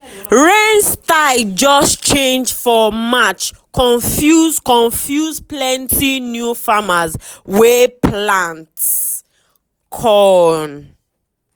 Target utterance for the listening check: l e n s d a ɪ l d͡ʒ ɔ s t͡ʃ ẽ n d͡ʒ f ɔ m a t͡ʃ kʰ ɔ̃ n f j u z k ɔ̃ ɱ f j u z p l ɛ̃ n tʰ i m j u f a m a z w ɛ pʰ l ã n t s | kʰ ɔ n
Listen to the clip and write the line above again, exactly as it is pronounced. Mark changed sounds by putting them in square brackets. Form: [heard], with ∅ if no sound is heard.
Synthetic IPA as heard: [ɹ] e n s [t] a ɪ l d͡ʒ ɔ s t͡ʃ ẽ n d͡ʒ f ɔ m a t͡ʃ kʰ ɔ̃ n f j u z k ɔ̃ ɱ f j u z p l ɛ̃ n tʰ i [n] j u f a m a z w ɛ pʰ l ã n t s | kʰ ɔ n